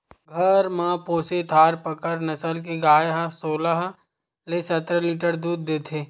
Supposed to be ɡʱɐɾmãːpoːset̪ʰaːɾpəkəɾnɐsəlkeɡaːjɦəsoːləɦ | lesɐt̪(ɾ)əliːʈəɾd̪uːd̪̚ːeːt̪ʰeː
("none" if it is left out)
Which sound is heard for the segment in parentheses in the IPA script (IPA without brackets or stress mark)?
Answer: ɾ